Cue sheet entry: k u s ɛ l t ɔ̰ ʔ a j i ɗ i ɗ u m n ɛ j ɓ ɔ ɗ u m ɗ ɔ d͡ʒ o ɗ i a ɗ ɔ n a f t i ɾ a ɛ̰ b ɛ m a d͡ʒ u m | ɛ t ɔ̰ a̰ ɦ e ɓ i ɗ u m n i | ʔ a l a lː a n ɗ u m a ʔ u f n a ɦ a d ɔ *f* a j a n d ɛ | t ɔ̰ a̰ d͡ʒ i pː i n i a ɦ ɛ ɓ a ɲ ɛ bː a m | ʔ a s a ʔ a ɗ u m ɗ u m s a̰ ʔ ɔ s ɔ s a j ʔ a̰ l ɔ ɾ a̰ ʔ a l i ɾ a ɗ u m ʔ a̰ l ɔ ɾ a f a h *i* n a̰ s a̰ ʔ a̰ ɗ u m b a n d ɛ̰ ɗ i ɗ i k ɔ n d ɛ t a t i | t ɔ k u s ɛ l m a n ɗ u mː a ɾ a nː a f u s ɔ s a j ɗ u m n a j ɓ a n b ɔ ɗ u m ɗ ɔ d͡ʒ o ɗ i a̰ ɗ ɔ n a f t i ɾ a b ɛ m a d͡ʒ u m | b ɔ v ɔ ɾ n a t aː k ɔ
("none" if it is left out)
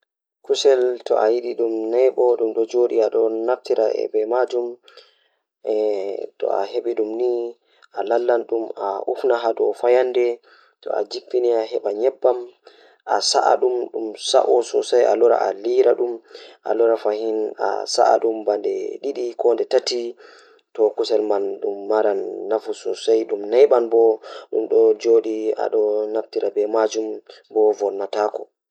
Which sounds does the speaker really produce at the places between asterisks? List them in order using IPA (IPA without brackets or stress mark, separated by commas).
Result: f, i